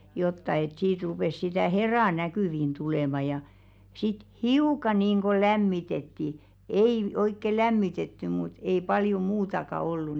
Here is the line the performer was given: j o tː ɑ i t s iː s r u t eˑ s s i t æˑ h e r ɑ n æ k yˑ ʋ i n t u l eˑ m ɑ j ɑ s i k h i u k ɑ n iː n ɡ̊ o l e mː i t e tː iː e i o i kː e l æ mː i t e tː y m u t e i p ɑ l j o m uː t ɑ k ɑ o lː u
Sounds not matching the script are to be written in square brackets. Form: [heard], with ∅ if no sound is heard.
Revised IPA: j o tː ɑ [e] t s iː [t] r u [p] eˑ s s i t æˑ h e r ɑ n æ k yˑ ʋ i n t u l eˑ m ɑ j ɑ s i [t] h i u k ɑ n iː n ɡ̊ o l [æ] mː i t e tː [i] e i o i kː e l æ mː i t e tː y m u t e i p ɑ l j o m uː t ɑ k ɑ o lː u

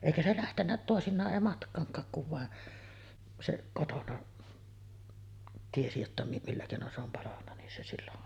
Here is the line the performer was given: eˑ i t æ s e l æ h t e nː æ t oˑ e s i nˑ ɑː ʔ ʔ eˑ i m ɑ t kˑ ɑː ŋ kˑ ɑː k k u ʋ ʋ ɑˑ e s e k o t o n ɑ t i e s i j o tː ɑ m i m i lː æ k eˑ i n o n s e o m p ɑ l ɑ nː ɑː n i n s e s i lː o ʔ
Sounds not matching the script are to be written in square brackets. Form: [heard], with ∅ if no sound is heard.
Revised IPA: eˑ i [k] æ s e l æ h t e nː æ t oˑ e s i nˑ ɑː ʔ ʔ eˑ i m ɑ t kˑ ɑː ŋ kˑ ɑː k k u ʋ ʋ ɑˑ e s e k o t o n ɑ t i e s i j o tː ɑ m i m i lː æ k eˑ i n o n s e o m p ɑ l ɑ nː [ɑ] n i n s e s i lː o ʔ

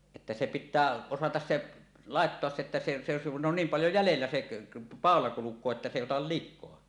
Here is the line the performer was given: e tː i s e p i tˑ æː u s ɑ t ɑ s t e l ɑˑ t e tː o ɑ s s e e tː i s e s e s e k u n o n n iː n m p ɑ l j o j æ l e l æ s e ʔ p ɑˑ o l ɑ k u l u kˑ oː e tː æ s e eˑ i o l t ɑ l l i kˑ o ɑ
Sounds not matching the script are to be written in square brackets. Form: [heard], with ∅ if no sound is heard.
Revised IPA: e tː [æ] s e p i tˑ æː [o] s ɑ t ɑ s [s] e l ɑˑ [∅] e tː o ɑ s s e e tː [æ] s e s e s e k u n o n n iː [∅] m p ɑ l j o j æ l e [lː] æ s e ʔ p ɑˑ o l ɑ k u l u kˑ oː e tː æ s e eˑ i o [∅] t ɑ l l i kˑ o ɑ

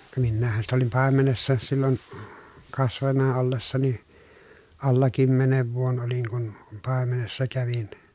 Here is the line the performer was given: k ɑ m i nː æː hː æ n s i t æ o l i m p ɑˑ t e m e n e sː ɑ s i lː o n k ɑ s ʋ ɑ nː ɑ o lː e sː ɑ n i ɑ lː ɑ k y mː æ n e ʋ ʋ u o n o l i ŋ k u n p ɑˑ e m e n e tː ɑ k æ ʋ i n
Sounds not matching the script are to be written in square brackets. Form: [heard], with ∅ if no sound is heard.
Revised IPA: k ɑ m i nː æː hː æ n s i t æ o l i m p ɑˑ [∅] e m e n e sː ɑ s i lː o n k ɑ s ʋ ɑ nː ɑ o lː e sː ɑ n i ɑ lː ɑ k y mː [e] n e ʋ ʋ u o n o l i ŋ k u n p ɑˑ e m e n e [sː] ɑ k æ ʋ i n

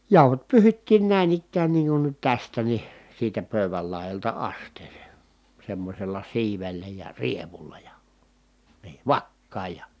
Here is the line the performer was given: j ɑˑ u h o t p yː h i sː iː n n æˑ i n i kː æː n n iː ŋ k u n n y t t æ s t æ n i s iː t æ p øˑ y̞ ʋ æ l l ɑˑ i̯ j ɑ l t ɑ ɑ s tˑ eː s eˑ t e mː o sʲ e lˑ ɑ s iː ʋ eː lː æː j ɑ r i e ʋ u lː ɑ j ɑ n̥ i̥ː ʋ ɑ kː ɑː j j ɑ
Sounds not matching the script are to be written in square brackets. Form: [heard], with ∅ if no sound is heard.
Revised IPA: j ɑˑ u h o t p yː h i [tː] iː n n æˑ i n i kː æː n n iː ŋ k u n n y t t æ s t æ n i s iː t æ p øˑ y̞ ʋ æ l l ɑˑ i̯ j ɑ l t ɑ ɑ s tˑ eː s eˑ [s] e mː o sʲ e lˑ ɑ s iː ʋ [e] lː [æ] j ɑ r i e ʋ u lː ɑ j ɑ n̥ i̥ː ʋ ɑ kː ɑː j j ɑ

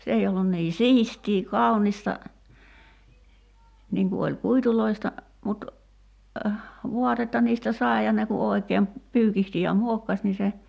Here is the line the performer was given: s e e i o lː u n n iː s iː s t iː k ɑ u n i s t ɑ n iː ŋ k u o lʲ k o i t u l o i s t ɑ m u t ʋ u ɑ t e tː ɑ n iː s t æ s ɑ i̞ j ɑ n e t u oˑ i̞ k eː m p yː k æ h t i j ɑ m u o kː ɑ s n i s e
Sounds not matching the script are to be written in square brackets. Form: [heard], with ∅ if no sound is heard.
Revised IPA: s e e i o lː u n n iː s iː s t iː k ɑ u n i s t ɑ n iː ŋ k u o lʲ k [u] i t u l o i s t ɑ m u t ʋ u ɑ t e tː ɑ n iː s t æ s ɑ i̞ j ɑ n e [k] u oˑ i̞ k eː m p yː k [i] h t i j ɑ m u o kː ɑ s n i s e

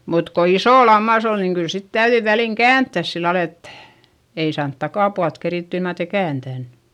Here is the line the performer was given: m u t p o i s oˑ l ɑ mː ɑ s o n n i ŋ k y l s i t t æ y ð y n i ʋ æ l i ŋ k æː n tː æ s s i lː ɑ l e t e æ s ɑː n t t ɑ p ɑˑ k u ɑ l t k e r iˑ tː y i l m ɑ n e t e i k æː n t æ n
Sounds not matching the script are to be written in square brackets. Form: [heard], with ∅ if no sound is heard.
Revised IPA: m u t [k] o i s oˑ l ɑ mː ɑ s o n n i ŋ k y l s i t t æ y ð y [∅] i ʋ æ l i ŋ k æː n tː æ s s i lː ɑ l e t e [i] s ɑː n t t ɑ [k] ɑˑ [p] u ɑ l t k e r iˑ tː y i l m ɑ n e t e i k æː n t æ n

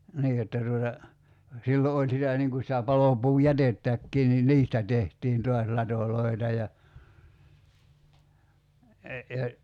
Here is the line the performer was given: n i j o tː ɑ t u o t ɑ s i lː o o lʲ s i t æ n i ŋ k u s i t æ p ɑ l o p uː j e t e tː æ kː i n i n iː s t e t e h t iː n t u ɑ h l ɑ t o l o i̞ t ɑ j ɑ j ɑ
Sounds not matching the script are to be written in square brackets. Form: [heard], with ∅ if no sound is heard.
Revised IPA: n [iː] j o tː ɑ t u o t ɑ s i lː o o lʲ s i t æ n i ŋ k u s i t æ p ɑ l o p uː j [æ] t e tː æ kː [iː] n i n iː s t [æ] t e h t iː n t u ɑ [s] l ɑ t o l o i̞ t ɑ j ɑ j ɑ

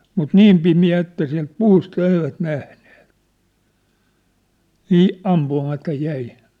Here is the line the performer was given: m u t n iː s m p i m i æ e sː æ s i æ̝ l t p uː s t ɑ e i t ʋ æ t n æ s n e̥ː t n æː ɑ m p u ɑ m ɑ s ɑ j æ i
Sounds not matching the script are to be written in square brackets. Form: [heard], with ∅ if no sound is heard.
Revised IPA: m u t n iː [∅] m p i m i æ e [tː] æ s i æ̝ l t p uː s t ɑ e i [∅] ʋ æ t n æ [h] n e̥ː t n [iː] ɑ m p u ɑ m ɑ [t] ɑ j æ i

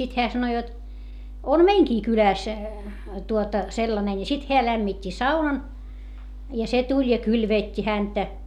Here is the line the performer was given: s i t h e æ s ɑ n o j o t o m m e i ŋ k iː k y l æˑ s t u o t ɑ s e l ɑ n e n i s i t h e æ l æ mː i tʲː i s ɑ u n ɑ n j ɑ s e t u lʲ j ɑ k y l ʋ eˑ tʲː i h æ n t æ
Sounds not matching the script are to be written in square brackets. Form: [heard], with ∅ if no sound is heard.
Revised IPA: s i t h e æ s ɑ n o j o t o m m e i ŋ k iː k y l æˑ s t u o t ɑ s e [lː] ɑ n e n i s i t h e æ l æ mː i tʲː i s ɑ u n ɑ n j ɑ s e t u lʲ j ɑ k y l ʋ eˑ tʲː i h æ n t æ

